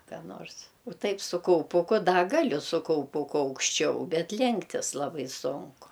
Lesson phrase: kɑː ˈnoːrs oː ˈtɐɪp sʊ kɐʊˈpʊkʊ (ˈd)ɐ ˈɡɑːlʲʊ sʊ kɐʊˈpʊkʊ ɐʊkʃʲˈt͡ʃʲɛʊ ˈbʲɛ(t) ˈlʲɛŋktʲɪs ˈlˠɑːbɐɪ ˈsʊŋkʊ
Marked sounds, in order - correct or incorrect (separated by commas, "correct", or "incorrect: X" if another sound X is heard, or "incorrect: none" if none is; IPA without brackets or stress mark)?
correct, correct